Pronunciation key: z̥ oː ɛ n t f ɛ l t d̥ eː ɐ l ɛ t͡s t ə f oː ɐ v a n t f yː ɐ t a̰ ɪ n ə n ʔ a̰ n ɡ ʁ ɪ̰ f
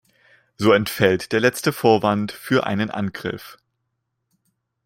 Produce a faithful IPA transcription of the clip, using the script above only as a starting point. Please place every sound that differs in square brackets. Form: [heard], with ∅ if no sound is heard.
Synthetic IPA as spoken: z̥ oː ɛ n t f ɛ l t d̥ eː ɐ l ɛ t͡s t ə f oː ɐ v a n t f yː ɐ [ʔ] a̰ ɪ n ə n ʔ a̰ n ɡ ʁ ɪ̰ f

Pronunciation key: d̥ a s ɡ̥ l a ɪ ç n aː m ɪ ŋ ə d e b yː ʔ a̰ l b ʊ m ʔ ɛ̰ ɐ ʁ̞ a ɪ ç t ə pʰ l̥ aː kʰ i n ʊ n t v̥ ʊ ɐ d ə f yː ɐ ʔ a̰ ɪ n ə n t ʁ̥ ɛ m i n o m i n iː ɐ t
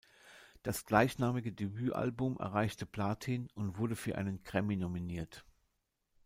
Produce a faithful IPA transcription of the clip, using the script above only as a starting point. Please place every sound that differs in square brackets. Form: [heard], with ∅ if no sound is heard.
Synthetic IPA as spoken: d̥ a s ɡ̥ l a ɪ ç n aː m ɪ [ɡ] ə d e b yː ʔ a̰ l b ʊ m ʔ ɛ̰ ɐ ʁ̞ a ɪ ç t ə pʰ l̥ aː [tʰ] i n ʊ n t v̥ ʊ ɐ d ə f yː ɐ ʔ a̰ ɪ n ə n [k] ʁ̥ ɛ m i n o m i n iː ɐ t

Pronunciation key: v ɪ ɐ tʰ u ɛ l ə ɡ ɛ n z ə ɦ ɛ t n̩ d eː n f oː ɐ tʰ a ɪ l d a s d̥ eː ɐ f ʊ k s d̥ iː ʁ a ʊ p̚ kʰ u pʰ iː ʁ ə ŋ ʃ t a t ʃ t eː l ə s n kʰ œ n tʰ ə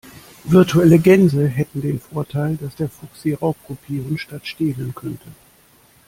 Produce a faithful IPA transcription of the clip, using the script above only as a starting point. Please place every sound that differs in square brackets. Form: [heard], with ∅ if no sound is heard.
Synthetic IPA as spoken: v ɪ ɐ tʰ u ɛ l ə ɡ ɛ n z ə ɦ ɛ t n̩ d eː n f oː ɐ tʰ a ɪ l d a s d̥ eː ɐ f ʊ k s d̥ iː ʁ a ʊ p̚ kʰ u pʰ iː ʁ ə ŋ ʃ t a t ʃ t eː l ə [∅] n kʰ œ n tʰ ə

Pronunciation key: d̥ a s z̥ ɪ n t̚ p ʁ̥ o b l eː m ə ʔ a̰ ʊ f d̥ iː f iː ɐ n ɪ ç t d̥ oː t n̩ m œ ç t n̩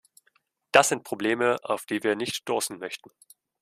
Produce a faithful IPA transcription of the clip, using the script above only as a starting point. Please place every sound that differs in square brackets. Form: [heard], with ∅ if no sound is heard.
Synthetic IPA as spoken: d̥ a s z̥ ɪ n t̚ p ʁ̥ o b l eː m ə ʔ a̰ ʊ f d̥ iː [v] iː ɐ n ɪ ç t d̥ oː [s] n̩ m œ ç t n̩

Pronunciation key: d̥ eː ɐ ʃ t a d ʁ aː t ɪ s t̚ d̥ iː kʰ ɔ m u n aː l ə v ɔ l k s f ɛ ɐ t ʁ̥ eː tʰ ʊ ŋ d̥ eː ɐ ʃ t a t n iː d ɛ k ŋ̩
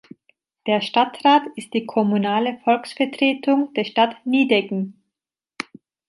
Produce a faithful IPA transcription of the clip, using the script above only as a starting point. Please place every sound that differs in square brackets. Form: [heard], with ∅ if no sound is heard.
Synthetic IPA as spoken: d̥ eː ɐ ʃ t a [t] ʁ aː t ɪ s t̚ d̥ iː kʰ ɔ m u n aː l ə [f] ɔ l k s f ɛ ɐ t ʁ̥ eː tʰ ʊ ŋ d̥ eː ɐ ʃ t a t n iː d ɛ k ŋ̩

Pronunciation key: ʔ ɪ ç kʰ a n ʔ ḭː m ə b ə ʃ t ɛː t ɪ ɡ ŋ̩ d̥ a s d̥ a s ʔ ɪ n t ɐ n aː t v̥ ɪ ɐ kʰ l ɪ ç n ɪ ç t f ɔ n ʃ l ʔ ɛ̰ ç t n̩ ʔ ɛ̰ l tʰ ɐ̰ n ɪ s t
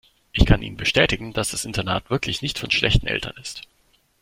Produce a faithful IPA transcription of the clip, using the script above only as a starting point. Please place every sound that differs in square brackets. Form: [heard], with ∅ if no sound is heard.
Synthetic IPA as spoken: ʔ ɪ ç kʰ a n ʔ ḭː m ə b ə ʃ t ɛː t ɪ ɡ ŋ̩ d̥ a s d̥ a s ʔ ɪ n t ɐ n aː t v̥ ɪ ɐ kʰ l ɪ ç n ɪ ç t f ɔ n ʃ l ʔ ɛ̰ ç t n̩ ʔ ɛ̰ l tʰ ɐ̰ n ɪ s t

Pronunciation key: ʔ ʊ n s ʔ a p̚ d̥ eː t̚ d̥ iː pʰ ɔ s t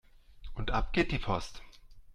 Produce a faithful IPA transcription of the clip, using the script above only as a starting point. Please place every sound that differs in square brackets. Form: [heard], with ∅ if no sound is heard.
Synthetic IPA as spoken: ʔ ʊ n [t] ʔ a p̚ [ɡ̥] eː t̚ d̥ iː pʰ ɔ s t

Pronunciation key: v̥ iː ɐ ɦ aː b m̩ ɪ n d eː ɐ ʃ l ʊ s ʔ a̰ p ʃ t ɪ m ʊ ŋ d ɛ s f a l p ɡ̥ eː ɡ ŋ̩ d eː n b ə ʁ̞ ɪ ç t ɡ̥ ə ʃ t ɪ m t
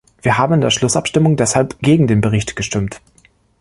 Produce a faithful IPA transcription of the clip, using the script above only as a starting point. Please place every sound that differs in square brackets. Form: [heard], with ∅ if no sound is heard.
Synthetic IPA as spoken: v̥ iː ɐ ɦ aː b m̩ ɪ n d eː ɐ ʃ l ʊ s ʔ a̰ p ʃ t ɪ m ʊ ŋ d ɛ s [h] a l p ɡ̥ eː ɡ ŋ̩ d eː n b ə ʁ̞ ɪ ç t ɡ̥ ə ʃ t ɪ m t

